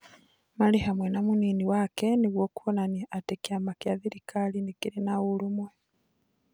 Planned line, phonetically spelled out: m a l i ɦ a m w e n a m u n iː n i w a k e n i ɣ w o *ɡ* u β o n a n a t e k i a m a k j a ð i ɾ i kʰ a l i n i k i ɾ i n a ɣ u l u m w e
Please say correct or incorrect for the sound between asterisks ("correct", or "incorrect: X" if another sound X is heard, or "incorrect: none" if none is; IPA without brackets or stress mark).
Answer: incorrect: k